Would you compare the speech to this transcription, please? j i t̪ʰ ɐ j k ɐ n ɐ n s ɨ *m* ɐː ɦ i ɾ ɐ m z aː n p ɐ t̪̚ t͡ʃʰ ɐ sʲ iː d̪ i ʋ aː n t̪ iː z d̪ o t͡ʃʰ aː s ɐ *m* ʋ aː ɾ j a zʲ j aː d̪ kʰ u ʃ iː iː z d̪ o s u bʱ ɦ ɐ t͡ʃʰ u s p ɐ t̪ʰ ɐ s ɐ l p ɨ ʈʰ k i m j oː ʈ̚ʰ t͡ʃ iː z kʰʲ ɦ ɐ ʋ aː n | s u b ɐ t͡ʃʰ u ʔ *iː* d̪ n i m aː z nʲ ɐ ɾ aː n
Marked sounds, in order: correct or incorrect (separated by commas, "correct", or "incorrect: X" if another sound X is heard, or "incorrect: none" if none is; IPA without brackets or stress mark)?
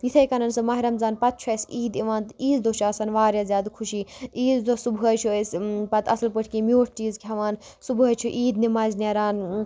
correct, incorrect: n, correct